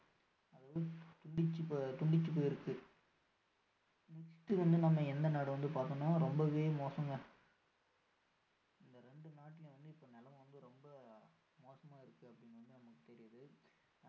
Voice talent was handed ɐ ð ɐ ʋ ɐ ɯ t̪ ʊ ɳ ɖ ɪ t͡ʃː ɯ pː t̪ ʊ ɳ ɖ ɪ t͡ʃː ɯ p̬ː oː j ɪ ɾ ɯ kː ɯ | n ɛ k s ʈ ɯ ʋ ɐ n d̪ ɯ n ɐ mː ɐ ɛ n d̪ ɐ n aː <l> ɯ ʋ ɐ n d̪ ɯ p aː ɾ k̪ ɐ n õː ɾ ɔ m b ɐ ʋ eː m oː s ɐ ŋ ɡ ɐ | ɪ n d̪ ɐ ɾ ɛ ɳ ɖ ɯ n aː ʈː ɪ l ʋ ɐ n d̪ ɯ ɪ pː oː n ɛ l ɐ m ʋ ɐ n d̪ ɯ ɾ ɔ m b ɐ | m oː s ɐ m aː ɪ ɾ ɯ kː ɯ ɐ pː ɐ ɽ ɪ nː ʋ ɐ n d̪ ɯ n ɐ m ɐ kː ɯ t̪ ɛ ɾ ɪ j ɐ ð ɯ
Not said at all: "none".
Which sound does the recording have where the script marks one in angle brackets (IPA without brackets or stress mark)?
ɽ